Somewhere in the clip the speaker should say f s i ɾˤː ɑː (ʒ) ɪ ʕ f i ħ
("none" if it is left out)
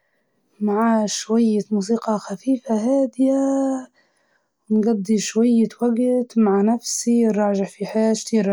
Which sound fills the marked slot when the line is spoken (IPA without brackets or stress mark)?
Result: ʒ